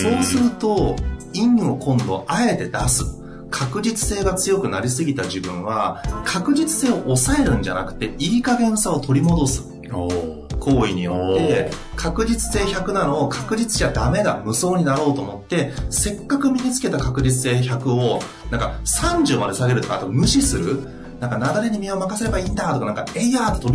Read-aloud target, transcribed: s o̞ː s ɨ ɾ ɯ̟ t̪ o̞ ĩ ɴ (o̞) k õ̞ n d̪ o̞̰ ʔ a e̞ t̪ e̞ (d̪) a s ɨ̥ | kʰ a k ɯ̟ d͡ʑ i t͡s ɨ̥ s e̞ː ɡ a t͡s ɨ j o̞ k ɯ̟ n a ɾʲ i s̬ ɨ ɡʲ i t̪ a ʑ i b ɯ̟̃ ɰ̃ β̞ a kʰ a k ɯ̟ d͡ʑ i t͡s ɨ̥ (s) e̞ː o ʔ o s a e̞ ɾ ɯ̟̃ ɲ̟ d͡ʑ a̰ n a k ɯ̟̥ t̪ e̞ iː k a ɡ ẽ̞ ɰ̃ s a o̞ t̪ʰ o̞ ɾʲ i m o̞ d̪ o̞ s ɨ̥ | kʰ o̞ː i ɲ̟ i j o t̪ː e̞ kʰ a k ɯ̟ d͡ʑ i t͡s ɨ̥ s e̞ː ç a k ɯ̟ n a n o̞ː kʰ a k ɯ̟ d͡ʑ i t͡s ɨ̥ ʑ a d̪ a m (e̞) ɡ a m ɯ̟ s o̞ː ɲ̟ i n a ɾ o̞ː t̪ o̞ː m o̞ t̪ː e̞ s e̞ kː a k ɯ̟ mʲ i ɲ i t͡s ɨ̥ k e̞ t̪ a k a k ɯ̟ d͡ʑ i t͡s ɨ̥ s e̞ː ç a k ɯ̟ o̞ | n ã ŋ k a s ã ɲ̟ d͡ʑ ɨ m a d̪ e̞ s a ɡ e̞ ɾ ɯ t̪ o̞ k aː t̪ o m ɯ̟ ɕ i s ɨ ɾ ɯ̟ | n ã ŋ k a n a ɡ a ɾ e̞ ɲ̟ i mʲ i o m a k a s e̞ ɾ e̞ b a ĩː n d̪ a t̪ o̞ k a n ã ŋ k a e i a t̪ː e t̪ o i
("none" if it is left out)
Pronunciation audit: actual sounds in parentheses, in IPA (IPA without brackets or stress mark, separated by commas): o̞, d̪, s, e̞